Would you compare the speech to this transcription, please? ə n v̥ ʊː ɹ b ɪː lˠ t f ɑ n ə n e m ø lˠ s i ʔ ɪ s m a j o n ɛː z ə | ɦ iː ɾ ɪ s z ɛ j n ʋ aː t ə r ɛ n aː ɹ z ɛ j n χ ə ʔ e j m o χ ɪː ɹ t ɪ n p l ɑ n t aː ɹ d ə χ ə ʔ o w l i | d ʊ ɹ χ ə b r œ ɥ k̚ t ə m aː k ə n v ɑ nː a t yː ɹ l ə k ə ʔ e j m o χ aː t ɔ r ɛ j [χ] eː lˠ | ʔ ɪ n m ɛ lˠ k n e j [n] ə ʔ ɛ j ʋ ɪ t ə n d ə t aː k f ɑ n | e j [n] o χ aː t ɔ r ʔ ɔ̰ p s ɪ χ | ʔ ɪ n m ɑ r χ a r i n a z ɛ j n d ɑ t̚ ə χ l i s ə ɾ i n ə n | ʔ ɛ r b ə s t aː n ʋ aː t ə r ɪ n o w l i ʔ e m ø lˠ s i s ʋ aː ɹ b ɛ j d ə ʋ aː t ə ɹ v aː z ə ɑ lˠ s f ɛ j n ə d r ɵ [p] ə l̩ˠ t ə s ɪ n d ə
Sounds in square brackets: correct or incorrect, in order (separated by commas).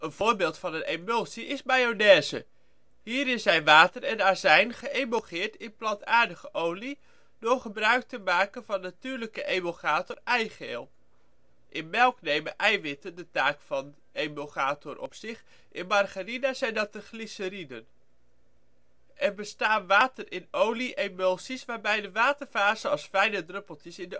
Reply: correct, incorrect, incorrect, correct